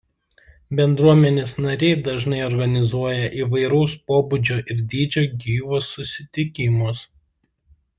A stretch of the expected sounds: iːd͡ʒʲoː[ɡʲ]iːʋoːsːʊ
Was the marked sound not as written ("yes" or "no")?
no